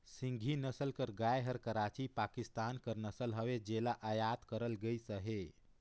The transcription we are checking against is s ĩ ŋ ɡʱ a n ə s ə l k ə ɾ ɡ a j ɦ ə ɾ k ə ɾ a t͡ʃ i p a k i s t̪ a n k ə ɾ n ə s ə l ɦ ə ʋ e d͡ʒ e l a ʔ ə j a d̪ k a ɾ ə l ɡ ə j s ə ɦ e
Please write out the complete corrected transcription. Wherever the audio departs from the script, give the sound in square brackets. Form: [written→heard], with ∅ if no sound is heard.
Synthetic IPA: s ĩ ŋ ɡʱ [a→i] n ə s ə l k ə ɾ ɡ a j ɦ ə ɾ k ə ɾ a t͡ʃ i p a k i s t̪ a n k ə ɾ n ə s ə l ɦ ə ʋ e d͡ʒ e l a ʔ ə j a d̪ k [a→ə] ɾ ə l ɡ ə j s ə ɦ e